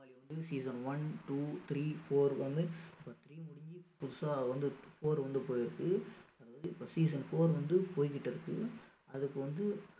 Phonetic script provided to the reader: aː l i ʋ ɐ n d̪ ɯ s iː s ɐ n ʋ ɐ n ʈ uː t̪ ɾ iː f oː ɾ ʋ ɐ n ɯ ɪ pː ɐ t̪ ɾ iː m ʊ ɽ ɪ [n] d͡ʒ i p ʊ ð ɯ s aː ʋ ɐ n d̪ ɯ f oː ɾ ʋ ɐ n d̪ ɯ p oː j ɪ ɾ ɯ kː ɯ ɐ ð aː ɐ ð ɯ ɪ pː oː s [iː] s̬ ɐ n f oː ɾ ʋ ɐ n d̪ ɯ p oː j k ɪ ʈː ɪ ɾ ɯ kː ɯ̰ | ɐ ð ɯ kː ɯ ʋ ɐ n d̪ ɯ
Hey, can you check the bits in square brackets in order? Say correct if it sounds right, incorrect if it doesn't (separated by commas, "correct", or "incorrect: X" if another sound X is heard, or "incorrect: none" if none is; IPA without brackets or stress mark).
incorrect: ɲ, correct